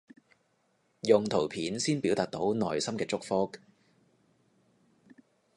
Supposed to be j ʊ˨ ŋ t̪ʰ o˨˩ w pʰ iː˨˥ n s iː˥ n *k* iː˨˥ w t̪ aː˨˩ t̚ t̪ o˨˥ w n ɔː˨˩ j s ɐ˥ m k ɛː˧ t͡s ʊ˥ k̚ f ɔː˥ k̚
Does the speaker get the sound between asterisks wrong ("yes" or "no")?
yes